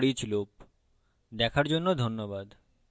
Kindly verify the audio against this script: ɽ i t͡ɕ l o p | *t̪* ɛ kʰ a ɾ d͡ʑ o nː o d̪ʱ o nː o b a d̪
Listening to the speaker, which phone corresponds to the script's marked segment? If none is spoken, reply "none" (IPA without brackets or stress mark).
d̪